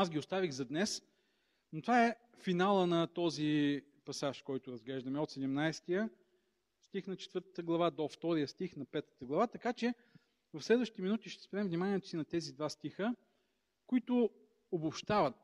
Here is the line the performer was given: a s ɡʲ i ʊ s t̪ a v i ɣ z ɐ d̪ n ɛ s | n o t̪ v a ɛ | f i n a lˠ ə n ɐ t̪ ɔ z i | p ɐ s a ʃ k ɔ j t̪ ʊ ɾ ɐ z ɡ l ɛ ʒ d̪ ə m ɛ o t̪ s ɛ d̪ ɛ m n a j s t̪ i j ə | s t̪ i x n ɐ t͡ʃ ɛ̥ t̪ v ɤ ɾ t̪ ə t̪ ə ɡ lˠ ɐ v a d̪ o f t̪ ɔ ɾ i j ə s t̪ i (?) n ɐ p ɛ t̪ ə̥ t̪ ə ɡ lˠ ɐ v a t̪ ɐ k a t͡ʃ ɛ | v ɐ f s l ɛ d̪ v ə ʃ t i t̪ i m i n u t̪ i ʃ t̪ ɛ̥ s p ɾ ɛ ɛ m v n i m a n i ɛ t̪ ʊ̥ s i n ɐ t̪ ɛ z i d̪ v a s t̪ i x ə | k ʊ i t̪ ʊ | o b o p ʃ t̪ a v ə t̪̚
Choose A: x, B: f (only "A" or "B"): A